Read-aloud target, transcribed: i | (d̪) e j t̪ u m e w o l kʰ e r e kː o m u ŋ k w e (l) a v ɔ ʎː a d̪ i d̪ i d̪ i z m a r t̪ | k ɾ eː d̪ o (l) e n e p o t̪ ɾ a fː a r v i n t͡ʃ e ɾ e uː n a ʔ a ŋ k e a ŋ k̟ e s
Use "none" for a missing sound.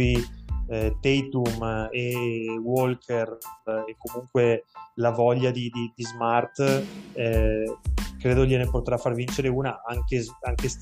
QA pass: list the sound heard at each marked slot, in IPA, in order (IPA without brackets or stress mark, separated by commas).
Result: t̪, l, ʎ